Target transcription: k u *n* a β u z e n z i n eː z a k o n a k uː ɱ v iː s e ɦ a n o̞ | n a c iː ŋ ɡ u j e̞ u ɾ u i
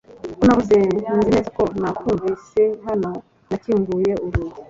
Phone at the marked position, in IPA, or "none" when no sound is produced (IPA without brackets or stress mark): n